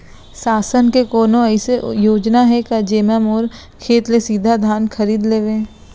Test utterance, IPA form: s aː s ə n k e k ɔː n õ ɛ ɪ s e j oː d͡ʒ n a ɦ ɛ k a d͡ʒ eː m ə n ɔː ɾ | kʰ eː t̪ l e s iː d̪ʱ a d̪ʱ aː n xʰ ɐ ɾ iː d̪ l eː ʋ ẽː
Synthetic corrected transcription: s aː s ə n k e k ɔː n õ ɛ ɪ s e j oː d͡ʒ n a ɦ ɛ k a d͡ʒ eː m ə m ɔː ɾ | kʰ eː t̪ l e s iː d̪ʱ a d̪ʱ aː n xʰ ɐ ɾ iː d̪ l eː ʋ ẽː